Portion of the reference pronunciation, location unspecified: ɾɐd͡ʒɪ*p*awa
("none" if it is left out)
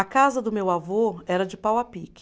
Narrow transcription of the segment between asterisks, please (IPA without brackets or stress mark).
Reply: p